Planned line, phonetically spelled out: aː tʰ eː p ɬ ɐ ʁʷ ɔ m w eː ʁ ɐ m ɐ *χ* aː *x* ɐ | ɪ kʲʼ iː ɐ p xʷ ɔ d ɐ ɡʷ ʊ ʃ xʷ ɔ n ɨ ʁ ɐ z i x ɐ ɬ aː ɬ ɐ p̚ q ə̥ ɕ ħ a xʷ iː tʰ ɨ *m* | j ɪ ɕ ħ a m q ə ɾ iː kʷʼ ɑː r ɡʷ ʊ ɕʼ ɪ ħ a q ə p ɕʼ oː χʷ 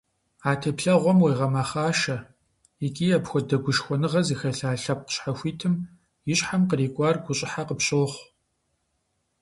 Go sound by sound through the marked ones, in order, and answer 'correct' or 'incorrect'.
correct, incorrect, correct

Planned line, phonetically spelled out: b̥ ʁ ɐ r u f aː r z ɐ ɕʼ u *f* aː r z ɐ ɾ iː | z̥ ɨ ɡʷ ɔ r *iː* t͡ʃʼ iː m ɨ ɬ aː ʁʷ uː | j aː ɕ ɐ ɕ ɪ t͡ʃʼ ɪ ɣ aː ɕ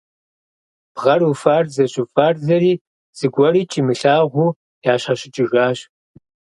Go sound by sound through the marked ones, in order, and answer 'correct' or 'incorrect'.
correct, correct

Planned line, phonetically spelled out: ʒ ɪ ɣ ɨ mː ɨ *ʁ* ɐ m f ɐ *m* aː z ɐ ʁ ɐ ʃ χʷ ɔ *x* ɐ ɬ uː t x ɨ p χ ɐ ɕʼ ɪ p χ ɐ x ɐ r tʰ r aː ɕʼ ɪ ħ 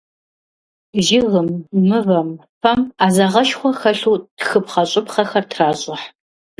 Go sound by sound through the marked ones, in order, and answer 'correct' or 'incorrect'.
incorrect, correct, correct

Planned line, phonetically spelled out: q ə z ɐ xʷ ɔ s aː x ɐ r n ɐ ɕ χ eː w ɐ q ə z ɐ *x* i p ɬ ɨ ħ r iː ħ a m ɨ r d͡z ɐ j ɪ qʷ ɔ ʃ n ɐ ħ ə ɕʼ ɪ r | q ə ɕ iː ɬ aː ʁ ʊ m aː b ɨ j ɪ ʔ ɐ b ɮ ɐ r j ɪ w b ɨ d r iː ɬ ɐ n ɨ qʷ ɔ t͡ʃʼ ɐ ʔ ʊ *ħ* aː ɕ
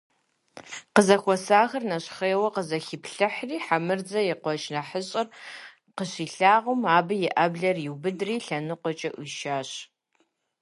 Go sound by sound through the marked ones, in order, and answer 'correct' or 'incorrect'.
correct, incorrect

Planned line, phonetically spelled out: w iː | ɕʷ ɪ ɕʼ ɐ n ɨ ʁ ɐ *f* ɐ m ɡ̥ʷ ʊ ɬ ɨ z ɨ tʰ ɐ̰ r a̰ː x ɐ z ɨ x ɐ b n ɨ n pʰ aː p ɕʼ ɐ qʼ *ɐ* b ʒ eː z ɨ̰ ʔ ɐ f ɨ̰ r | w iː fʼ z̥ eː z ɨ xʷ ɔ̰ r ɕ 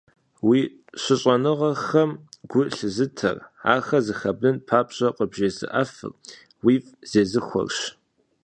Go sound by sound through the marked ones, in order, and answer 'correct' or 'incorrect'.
incorrect, incorrect

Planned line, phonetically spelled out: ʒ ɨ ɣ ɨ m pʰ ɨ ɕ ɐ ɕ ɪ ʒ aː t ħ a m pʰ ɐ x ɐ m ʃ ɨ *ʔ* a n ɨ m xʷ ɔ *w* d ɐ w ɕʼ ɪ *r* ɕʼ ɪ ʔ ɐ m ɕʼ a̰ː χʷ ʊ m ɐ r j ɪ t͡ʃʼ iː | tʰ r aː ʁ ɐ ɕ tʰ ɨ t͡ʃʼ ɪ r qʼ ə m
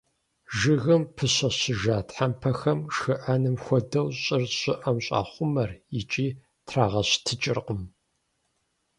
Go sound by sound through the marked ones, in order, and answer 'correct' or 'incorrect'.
correct, incorrect, correct

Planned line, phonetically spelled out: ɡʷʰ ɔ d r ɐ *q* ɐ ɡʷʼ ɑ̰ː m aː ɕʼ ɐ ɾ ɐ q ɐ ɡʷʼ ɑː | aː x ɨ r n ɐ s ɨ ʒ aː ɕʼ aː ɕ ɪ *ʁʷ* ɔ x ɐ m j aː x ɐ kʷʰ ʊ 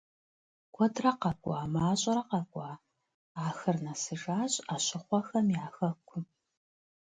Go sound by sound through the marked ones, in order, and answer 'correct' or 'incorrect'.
correct, incorrect

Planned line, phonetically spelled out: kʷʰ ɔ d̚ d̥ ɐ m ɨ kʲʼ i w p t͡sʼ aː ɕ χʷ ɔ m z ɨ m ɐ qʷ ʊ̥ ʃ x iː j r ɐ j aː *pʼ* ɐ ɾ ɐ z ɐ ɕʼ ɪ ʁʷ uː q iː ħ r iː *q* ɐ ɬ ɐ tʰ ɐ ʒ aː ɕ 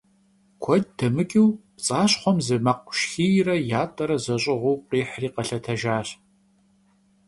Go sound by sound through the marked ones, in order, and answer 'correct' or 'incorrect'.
incorrect, correct

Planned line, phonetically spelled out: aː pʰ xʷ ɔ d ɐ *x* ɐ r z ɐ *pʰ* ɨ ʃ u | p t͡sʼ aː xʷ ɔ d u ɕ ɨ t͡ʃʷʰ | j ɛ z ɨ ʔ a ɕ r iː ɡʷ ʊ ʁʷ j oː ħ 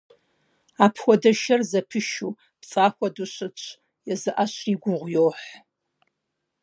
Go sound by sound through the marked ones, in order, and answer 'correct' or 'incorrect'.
incorrect, correct

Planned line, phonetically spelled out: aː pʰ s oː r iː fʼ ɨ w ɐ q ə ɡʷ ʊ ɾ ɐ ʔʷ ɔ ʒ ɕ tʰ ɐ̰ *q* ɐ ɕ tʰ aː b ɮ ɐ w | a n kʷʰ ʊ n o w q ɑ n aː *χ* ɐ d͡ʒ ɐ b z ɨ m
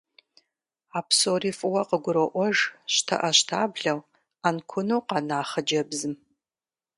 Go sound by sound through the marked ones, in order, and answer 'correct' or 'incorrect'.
incorrect, correct

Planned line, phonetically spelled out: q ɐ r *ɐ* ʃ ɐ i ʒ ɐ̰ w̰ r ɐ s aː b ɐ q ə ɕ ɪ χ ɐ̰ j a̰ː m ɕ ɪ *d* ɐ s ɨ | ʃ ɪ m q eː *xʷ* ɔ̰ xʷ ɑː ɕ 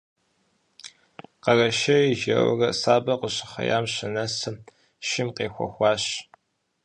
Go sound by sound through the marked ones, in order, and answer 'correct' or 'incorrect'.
correct, incorrect, correct

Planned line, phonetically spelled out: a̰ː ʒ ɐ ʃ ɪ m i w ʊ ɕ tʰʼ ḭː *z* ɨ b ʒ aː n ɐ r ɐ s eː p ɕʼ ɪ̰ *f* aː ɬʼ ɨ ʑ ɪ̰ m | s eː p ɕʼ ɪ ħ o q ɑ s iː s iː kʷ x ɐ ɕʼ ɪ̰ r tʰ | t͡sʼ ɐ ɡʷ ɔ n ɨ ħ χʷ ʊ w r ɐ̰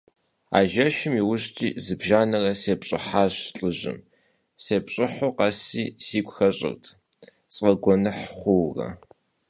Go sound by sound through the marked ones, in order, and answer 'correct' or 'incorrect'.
correct, incorrect

